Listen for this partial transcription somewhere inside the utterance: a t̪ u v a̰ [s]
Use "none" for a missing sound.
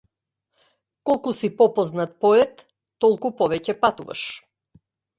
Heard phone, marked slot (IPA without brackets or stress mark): ʃ